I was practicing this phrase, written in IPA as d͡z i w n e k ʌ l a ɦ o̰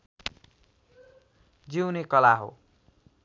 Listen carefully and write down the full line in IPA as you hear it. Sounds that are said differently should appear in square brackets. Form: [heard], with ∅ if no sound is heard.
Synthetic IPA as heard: d͡z i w n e k ʌ l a ɦ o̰

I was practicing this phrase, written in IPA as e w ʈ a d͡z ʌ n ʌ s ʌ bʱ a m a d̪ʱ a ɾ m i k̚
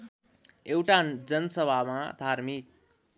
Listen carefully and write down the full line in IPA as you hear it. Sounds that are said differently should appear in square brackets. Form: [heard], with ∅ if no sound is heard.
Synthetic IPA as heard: e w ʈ a d͡z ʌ n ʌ s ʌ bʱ a m a d̪ʱ a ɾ m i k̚

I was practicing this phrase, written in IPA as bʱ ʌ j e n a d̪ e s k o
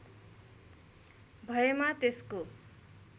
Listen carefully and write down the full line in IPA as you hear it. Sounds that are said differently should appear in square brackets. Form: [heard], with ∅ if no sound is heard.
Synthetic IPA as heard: bʱ ʌ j e [m] a [t̪] e s k o

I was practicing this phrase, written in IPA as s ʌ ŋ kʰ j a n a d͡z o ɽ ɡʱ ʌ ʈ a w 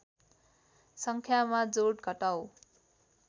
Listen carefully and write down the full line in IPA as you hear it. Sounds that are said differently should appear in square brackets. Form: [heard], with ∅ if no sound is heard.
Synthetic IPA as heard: s ʌ ŋ kʰ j a [m] a d͡z o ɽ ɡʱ ʌ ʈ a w

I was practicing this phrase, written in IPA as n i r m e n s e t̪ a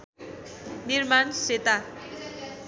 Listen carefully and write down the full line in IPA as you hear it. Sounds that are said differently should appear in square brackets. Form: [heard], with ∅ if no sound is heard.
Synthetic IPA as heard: n i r m [a] n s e t̪ a

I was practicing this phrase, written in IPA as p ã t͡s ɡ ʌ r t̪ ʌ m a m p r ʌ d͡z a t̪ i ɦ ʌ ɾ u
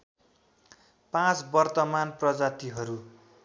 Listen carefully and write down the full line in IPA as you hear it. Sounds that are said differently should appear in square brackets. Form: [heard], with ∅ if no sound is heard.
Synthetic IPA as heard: p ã t͡s [b] ʌ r t̪ ʌ m a [n] p r ʌ d͡z a t̪ i ɦ ʌ ɾ u

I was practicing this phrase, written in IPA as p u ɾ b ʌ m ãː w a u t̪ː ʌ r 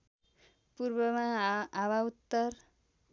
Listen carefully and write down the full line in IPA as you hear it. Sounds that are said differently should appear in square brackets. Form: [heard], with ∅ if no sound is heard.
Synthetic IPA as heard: p u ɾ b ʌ m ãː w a u t̪ː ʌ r

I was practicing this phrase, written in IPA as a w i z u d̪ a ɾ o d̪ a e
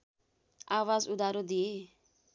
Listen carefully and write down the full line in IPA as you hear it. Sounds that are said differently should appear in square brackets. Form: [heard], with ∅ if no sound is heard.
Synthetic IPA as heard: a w [a] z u d̪ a ɾ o d̪ [i] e

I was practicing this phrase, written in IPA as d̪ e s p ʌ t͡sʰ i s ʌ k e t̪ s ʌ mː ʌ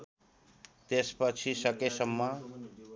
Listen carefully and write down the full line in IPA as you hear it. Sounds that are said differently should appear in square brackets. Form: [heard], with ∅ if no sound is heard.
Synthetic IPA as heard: [t̪] e s p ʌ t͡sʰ i s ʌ k e [∅] s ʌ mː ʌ

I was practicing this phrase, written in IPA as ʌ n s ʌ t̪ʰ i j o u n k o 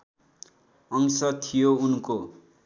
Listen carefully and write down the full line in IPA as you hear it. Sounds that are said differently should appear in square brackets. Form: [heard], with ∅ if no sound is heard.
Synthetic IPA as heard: ʌ [ŋ] s ʌ t̪ʰ i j o u n k o

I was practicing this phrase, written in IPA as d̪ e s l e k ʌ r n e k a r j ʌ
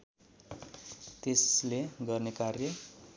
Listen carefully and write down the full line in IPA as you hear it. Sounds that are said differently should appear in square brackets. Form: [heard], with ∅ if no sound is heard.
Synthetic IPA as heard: [t̪] e s l e [ɡ] ʌ r n e k a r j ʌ

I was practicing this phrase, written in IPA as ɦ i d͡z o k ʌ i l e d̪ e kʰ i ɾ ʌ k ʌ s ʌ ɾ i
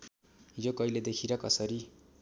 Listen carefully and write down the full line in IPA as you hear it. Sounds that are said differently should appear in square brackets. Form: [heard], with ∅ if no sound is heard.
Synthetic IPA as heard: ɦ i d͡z o k ʌ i l e d̪ e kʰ i ɾ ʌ k ʌ s ʌ ɾ i

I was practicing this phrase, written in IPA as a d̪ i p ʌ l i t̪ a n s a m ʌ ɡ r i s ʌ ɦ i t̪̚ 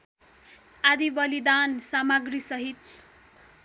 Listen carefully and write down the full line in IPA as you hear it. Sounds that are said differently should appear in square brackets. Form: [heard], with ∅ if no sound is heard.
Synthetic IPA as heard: a d̪ i [b] ʌ l i [d̪] a n s a m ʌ ɡ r i s ʌ ɦ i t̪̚

